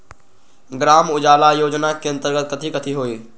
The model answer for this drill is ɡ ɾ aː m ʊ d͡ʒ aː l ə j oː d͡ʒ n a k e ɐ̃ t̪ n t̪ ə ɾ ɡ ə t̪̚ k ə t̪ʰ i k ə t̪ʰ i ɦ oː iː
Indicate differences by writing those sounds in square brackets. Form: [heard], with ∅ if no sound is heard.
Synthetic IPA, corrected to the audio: ɡ ɾ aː m ʊ d͡ʒ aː l [a] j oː d͡ʒ n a k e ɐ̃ [∅] n t̪ ə ɾ ɡ ə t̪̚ k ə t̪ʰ i k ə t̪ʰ i ɦ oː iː